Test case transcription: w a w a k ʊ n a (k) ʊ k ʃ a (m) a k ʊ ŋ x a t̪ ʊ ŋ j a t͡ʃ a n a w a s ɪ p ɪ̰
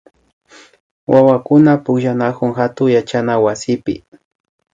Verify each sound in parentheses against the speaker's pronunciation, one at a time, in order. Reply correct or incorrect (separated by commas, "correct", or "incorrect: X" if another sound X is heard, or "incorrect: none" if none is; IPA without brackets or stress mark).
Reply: incorrect: p, incorrect: n